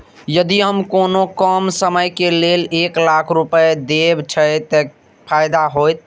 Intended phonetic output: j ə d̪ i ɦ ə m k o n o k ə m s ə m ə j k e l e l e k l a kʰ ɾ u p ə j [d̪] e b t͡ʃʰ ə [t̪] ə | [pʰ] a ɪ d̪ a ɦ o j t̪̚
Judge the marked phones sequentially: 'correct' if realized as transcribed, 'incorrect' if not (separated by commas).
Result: correct, correct, correct